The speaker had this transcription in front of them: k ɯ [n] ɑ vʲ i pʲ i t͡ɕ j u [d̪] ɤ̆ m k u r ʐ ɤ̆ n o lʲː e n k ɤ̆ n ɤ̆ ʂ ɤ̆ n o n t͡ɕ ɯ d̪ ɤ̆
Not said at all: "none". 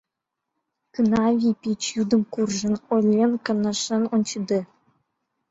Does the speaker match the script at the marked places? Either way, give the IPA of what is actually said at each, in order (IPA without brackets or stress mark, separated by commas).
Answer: n, d̪